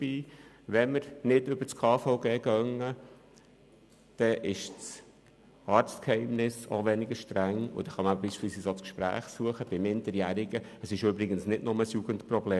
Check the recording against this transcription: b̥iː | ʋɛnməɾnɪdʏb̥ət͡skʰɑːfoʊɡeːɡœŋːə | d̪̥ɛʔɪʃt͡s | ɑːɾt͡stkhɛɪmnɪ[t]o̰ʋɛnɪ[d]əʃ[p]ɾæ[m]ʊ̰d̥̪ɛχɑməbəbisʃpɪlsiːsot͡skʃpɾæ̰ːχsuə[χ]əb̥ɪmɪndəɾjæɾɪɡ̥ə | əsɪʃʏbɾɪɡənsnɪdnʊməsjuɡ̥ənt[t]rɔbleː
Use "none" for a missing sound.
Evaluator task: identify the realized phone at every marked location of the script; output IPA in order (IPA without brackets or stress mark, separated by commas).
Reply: s, ɡ, t, ŋ, χ, p